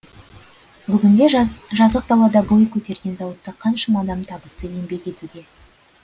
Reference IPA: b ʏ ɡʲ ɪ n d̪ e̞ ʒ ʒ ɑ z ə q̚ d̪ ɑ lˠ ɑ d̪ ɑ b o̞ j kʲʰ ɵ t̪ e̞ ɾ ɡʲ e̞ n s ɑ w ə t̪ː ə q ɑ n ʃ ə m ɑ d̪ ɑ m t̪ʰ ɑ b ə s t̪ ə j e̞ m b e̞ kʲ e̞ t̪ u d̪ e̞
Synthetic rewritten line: b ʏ ɡʲ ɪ n d̪ e̞ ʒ ʒ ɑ z ə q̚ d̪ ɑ lˠ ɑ d̪ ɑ b o̞ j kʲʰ ɵ t̪ e̞ ɾ ɡʲ e̞ n z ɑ w ə t̪ː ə qʰ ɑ n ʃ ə m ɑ d̪ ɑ m t̪ʰ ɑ b ə s t̪ ə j e̞ m b e̞ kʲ e̞ t̪ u d̪ e̞